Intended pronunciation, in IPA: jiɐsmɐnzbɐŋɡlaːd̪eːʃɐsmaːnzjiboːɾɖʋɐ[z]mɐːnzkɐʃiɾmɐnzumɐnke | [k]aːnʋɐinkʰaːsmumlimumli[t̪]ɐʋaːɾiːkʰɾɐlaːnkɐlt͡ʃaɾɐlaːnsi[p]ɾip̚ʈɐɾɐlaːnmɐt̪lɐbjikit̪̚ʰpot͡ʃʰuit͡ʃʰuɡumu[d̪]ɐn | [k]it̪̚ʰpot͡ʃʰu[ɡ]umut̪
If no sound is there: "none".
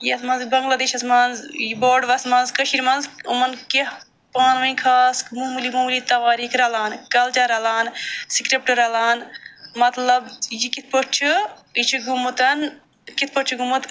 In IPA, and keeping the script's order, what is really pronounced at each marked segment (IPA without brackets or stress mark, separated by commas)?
s, p, t̪, k, t̪, k, ɡ